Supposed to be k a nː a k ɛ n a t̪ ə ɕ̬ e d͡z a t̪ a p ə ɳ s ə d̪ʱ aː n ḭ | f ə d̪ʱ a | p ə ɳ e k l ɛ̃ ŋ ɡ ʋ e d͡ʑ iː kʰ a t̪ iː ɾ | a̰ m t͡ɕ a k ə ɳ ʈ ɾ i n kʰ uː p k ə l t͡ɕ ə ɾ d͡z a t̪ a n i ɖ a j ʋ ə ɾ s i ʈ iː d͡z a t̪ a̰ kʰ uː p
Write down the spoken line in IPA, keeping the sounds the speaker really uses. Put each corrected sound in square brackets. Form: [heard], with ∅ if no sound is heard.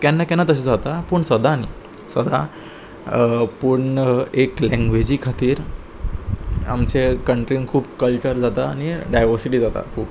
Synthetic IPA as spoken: k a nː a k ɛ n a t̪ ə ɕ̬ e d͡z a t̪ a p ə ɳ s ə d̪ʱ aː n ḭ | [s] ə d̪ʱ a | p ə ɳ e k l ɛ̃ ŋ ɡ ʋ e d͡ʑ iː kʰ a t̪ iː ɾ | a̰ m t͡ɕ [e] k ə ɳ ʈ ɾ i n kʰ uː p k ə l t͡ɕ ə ɾ d͡z a t̪ a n i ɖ a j ʋ ə ɾ s i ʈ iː d͡z a t̪ a̰ kʰ uː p

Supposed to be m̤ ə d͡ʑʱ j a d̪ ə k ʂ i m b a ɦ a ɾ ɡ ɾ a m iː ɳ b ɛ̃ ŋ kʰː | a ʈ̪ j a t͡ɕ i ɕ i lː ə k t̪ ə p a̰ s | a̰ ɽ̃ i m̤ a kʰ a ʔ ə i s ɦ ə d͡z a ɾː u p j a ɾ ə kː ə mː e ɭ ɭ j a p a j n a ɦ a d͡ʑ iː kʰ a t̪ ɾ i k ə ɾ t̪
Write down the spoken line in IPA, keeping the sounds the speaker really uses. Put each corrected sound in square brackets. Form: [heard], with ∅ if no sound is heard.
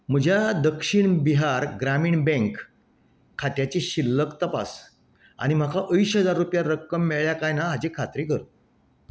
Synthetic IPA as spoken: m̤ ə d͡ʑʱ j a d̪ ə k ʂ i [ɳ] b [i] ɦ a ɾ ɡ ɾ a m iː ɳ b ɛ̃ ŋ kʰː | a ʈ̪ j a t͡ɕ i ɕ i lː ə k t̪ ə p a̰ s | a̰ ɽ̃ i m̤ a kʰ a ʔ ə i s ɦ ə d͡z a ɾː u p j a ɾ ə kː ə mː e ɭ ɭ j a [k] a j n a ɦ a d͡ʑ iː kʰ a t̪ ɾ i k ə ɾ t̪

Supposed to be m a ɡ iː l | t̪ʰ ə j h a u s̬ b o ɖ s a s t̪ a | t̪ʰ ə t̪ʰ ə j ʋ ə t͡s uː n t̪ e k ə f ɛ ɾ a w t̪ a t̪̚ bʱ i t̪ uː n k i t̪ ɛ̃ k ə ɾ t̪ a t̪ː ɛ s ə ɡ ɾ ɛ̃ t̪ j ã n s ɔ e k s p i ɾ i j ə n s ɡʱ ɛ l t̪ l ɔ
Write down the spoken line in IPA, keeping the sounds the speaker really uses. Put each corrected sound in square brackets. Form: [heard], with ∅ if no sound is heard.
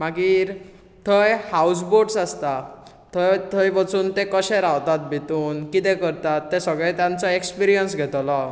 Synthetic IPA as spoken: m a ɡ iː [ɾ] | t̪ʰ ə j h a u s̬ b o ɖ s a s t̪ a | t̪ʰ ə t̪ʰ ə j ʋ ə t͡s uː n t̪ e k ə [ɕ] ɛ ɾ a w t̪ a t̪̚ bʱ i t̪ uː n k i t̪ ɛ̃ k ə ɾ t̪ a t̪ː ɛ s ə ɡ [ɭ] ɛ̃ t̪ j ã n [t͡s] ɔ e k s p i ɾ i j ə n s ɡʱ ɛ [∅] t̪ l ɔ

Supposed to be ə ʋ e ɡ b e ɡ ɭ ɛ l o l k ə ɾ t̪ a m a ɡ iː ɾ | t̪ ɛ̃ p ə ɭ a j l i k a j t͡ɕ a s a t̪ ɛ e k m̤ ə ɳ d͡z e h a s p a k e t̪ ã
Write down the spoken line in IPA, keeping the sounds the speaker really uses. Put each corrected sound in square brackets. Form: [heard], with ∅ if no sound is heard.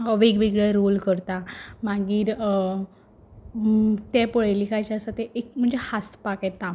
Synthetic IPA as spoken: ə ʋ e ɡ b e ɡ ɭ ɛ [ɾ] o l k ə ɾ t̪ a m a ɡ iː ɾ | t̪ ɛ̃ p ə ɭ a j l i k a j t͡ɕ a s a t̪ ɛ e k m̤ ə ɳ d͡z e h a s p a k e t̪ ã

